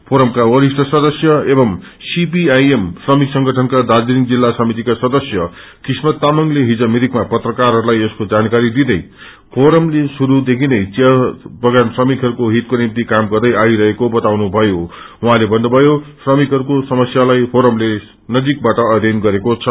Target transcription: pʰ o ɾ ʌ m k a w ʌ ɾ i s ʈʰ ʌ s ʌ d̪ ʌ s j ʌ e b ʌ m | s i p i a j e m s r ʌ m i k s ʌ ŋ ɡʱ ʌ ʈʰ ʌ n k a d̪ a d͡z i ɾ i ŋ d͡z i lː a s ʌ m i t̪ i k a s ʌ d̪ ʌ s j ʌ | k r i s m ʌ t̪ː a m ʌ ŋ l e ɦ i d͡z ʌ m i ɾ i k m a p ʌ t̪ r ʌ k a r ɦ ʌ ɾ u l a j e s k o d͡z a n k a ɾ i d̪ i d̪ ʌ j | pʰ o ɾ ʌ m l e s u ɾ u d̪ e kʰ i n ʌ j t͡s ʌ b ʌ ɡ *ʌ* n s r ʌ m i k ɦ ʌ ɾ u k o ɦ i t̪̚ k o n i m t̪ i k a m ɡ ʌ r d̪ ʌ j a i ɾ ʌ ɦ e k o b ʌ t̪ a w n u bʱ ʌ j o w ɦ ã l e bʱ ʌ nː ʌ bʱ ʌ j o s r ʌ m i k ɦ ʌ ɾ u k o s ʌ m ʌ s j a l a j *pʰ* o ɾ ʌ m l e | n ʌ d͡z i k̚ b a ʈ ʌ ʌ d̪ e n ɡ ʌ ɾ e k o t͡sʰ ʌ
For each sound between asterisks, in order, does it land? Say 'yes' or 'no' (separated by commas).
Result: no, yes